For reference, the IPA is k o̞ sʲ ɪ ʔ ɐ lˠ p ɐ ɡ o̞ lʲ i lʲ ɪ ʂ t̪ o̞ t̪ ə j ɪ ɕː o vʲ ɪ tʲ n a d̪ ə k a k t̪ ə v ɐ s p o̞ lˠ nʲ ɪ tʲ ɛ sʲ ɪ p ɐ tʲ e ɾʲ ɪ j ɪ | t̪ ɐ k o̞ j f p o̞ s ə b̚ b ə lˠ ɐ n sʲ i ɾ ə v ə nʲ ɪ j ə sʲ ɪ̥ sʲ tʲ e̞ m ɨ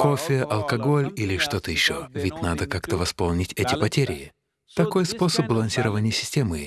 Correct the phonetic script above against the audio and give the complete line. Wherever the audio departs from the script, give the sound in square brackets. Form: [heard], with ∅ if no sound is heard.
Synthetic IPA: k o̞ [fʲ] ɪ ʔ ɐ lˠ [k] ɐ ɡ o̞ lʲ i lʲ ɪ ʂ t̪ o̞ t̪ ə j ɪ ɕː o vʲ ɪ tʲ n a d̪ ə k a k t̪ ə v ɐ s p o̞ lˠ nʲ ɪ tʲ ɛ [tʲ] ɪ p ɐ tʲ e ɾʲ ɪ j ɪ | t̪ ɐ k o̞ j [s] p o̞ s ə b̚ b ə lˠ ɐ n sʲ i ɾ ə v ə nʲ ɪ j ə sʲ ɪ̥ sʲ tʲ e̞ m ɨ